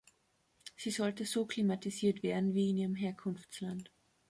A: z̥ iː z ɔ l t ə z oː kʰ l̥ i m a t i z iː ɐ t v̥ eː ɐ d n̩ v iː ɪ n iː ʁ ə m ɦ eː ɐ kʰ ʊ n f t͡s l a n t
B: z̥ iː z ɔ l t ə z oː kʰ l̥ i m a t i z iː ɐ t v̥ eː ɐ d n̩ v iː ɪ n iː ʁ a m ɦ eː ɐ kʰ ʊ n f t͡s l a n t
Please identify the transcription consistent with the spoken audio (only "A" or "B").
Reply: A